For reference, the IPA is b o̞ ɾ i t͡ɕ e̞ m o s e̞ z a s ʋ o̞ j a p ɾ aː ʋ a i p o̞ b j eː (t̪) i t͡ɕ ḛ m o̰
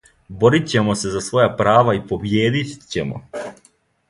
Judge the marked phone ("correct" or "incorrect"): incorrect